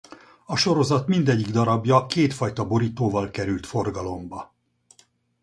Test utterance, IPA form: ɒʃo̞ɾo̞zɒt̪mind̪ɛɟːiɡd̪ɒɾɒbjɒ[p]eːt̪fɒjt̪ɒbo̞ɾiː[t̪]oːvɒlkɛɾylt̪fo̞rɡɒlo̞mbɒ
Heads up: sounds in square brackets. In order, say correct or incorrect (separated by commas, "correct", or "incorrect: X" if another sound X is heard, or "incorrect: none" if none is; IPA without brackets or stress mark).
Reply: incorrect: k, correct